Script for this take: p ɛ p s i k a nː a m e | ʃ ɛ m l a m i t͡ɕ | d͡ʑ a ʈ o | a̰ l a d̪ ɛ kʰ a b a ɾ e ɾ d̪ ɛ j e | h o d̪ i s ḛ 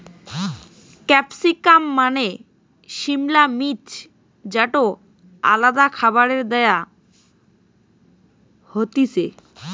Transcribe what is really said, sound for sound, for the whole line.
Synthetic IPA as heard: k ɛ p s i k a mː a n e | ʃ i m l a m i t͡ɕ | d͡ʑ a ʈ o | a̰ l a d̪ a kʰ a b a ɾ e ɾ d̪ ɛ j a | h o t̪ i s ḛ